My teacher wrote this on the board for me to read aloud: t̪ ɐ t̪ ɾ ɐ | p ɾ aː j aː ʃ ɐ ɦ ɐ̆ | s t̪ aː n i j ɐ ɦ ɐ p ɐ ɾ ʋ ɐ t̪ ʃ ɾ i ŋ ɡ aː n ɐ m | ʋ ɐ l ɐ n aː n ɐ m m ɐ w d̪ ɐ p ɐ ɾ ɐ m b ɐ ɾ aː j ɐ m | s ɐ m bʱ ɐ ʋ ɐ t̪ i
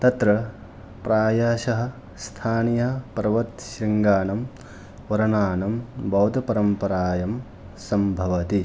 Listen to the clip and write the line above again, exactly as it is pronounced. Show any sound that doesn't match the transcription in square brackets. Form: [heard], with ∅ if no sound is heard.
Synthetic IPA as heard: t̪ ɐ t̪ ɾ ɐ | p ɾ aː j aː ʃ ɐ ɦ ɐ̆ | s [t̪ʰ] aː n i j ɐ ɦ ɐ p ɐ ɾ ʋ ɐ t̪ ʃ ɾ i ŋ ɡ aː n ɐ m | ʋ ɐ [ɾ] ɐ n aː n ɐ m [b] ɐ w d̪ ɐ p ɐ ɾ ɐ m [p] ɐ ɾ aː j ɐ m | s ɐ m bʱ ɐ ʋ ɐ t̪ i